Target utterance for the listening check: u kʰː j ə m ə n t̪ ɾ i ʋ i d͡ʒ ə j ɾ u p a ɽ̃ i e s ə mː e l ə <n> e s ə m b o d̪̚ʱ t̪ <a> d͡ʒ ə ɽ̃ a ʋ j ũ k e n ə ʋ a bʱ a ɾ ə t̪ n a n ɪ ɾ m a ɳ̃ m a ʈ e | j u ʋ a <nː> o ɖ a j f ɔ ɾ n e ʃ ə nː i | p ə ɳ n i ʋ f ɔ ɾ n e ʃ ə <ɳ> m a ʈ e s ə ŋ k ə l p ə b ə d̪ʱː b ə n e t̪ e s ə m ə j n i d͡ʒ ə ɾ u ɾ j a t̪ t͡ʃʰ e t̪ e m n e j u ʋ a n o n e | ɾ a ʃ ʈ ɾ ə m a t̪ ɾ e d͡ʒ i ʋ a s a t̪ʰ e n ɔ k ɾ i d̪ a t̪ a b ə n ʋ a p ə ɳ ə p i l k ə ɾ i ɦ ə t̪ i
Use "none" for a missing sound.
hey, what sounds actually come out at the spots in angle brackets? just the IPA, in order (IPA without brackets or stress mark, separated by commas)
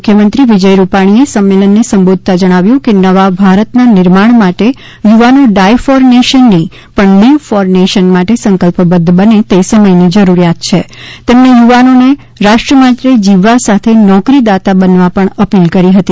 nː, a, n, n